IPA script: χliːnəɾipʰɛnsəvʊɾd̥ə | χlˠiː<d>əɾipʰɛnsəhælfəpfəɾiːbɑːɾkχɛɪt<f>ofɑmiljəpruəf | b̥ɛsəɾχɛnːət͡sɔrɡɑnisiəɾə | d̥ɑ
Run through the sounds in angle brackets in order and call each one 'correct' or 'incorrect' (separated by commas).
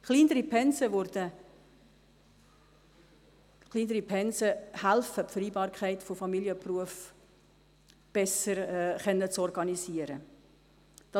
incorrect, correct